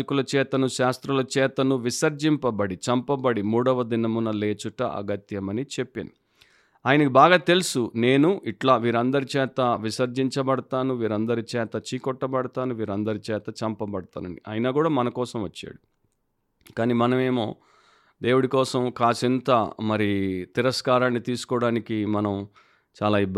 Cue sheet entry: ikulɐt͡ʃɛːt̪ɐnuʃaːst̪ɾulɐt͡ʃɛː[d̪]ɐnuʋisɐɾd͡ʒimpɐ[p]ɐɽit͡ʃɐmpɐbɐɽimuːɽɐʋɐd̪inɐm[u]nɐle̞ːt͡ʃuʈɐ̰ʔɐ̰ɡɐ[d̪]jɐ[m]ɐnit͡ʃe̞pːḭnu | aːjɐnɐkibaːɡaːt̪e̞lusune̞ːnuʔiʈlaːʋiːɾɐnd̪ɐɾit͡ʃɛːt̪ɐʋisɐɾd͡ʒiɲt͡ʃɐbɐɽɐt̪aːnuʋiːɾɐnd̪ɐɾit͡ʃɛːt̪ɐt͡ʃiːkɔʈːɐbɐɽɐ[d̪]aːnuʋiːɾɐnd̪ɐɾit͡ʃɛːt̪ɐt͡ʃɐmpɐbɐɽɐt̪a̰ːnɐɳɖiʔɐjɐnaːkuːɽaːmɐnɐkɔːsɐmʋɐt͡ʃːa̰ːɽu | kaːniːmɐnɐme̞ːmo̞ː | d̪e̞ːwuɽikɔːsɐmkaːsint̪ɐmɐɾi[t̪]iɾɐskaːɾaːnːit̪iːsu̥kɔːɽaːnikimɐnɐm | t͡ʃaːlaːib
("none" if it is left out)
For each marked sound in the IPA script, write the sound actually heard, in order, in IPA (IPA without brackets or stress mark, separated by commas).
t̪, b, u, t̪, m, t̪, t̪